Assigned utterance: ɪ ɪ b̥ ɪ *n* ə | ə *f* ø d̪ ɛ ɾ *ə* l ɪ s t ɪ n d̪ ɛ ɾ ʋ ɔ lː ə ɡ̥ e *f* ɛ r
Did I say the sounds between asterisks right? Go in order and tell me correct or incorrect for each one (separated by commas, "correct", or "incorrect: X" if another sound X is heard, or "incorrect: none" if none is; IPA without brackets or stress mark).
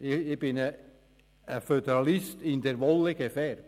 correct, correct, incorrect: ɑ, correct